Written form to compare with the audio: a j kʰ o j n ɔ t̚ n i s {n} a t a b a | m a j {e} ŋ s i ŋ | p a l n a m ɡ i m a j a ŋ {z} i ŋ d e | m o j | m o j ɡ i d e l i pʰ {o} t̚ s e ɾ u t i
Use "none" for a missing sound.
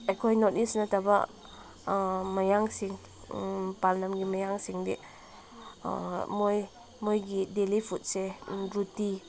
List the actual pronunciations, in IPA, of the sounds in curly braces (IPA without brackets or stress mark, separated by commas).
n, a, s, u